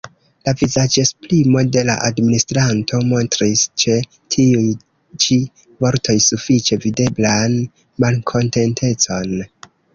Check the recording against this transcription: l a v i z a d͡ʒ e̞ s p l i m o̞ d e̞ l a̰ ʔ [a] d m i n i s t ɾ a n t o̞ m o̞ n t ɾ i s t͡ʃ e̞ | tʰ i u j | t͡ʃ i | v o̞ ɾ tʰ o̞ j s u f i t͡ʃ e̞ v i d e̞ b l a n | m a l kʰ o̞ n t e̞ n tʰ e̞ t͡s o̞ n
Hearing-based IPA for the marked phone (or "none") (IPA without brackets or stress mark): a